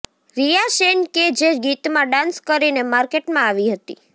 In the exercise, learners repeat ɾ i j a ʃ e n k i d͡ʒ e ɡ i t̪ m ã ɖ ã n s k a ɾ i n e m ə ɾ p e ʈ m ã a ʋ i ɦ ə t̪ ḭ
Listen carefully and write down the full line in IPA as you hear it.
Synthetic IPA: ɾ i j a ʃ e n k e d͡ʒ e ɡ i t̪ m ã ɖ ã n s k ə ɾ i n e m a ɾ k e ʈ m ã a ʋ i ɦ ə t̪ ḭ